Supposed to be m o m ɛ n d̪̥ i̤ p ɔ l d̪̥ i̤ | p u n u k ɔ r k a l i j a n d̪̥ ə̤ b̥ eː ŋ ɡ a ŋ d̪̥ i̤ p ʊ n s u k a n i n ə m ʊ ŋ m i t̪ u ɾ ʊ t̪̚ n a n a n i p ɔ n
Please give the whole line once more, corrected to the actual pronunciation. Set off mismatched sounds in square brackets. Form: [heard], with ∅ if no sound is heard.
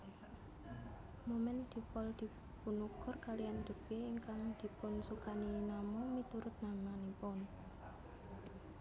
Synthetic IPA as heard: m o m ɛ n d̪̥ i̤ p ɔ l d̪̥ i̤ | p u n u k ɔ r k a l i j a n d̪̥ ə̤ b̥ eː ŋ [k] a ŋ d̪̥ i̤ p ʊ n s u k a n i n [a] m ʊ ŋ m i t̪ u ɾ ʊ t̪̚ n a [m] a n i p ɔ n